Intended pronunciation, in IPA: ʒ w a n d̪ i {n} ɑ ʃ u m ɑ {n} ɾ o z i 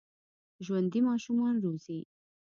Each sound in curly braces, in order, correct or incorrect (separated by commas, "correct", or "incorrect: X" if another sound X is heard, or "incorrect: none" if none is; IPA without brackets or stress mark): incorrect: m, correct